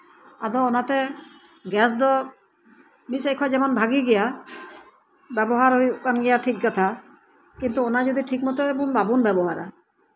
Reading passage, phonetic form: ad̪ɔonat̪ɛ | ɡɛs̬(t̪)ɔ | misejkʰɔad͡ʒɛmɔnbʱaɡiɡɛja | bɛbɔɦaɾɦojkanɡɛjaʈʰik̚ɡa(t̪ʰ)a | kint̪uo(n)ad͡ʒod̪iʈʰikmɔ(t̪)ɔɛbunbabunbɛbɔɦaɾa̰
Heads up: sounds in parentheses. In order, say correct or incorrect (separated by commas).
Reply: incorrect, correct, correct, correct